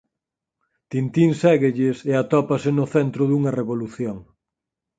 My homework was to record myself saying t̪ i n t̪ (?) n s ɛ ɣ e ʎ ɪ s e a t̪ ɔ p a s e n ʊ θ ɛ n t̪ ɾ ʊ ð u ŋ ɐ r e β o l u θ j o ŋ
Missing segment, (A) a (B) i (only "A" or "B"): B